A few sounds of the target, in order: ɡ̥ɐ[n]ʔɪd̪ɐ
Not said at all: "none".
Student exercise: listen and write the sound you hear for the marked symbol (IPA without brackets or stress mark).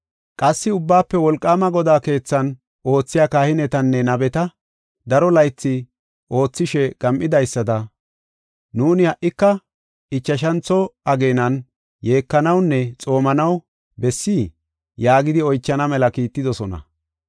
m